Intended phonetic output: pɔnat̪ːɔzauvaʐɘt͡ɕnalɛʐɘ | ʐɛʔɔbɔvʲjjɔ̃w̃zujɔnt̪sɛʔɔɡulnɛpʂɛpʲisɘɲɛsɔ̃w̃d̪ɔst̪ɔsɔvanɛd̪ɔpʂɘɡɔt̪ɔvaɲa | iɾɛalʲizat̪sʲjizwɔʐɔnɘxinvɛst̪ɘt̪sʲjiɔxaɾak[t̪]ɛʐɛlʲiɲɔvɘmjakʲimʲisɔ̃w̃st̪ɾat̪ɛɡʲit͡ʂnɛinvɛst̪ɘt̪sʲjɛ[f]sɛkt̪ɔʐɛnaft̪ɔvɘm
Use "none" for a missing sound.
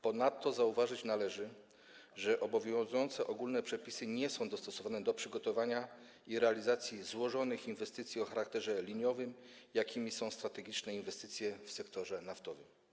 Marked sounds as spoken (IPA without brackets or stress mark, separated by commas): t̪, f